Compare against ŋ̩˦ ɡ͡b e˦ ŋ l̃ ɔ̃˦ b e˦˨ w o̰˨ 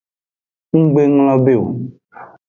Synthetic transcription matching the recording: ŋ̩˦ ɡ͡b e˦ ŋ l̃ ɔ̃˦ b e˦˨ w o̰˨